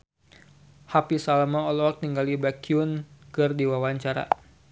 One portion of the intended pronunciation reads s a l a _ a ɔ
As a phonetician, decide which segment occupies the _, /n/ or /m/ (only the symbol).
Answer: m